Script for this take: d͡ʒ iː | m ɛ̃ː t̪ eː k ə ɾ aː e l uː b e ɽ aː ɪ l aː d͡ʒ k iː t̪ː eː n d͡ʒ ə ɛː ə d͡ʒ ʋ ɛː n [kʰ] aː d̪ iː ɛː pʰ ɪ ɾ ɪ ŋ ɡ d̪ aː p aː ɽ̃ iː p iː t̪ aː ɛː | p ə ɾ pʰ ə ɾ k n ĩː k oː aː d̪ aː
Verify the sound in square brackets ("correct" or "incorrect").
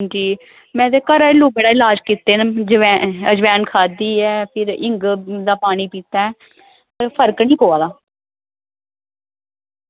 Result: correct